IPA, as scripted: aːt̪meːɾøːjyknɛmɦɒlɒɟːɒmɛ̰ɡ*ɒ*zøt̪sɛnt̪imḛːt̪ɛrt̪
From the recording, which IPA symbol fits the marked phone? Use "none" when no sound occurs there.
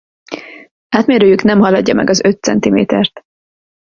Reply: ɒ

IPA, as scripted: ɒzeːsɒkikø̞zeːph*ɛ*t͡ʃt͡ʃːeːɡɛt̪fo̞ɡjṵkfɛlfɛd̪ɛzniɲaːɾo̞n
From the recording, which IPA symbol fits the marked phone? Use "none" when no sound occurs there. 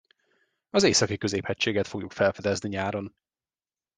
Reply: ɛ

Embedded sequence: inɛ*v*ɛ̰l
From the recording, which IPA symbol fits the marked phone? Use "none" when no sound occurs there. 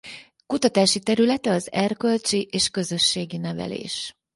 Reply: v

